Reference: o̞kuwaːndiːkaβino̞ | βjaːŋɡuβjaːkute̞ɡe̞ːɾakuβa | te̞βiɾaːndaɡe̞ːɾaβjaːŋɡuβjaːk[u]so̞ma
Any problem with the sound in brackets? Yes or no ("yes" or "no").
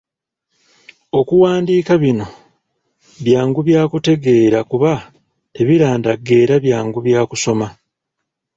no